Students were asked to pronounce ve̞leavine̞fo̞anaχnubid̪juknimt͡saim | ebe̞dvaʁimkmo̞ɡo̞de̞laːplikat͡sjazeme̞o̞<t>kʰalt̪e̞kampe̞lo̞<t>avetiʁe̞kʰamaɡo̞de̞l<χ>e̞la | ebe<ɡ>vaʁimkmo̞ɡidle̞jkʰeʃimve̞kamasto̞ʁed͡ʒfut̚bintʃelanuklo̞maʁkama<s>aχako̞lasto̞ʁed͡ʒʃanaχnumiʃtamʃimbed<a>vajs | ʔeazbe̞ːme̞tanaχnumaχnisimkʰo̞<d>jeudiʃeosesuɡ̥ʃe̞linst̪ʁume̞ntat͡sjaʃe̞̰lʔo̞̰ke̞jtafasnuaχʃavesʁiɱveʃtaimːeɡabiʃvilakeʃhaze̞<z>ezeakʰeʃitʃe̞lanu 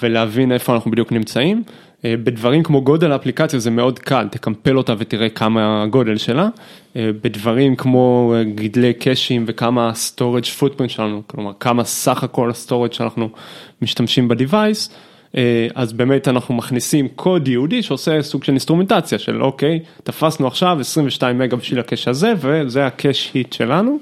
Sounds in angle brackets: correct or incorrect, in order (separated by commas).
incorrect, correct, incorrect, incorrect, correct, incorrect, correct, incorrect